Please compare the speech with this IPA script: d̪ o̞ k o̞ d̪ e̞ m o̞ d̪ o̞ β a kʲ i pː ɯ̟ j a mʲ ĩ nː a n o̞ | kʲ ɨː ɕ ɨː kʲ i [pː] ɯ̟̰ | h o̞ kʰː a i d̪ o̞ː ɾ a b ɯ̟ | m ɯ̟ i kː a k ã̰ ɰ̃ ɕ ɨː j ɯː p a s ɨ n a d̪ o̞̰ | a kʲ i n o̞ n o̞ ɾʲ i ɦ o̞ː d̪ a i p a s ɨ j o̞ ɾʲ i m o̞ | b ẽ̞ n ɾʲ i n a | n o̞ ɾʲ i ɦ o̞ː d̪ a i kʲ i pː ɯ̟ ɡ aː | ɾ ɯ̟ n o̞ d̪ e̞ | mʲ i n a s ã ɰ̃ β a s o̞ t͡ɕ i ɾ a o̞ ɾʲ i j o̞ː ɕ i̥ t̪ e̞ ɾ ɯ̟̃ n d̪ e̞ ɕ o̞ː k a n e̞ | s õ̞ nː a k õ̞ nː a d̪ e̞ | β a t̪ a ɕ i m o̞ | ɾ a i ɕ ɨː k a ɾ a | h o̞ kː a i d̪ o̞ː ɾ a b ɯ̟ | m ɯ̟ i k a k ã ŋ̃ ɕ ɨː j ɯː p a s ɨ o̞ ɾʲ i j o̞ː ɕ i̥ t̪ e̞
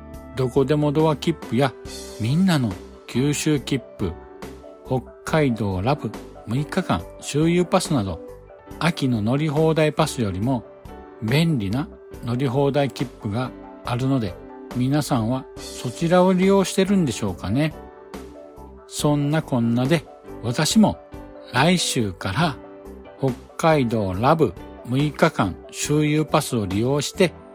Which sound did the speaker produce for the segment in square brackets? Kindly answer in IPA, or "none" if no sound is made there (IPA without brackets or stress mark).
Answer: pː